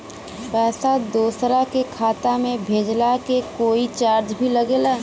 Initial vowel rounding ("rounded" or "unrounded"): unrounded